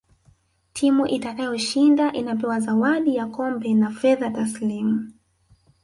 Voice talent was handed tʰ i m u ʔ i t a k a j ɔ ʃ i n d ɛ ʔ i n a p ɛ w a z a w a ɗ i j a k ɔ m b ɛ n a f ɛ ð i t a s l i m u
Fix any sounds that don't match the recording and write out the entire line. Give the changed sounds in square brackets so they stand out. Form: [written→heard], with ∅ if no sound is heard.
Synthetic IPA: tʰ i m u ʔ i t a k a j ɔ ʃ i n d [ɛ→a] ʔ i n a p ɛ w a z a w a ɗ i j a k ɔ m b ɛ n a f ɛ ð [i→a] t a s l i m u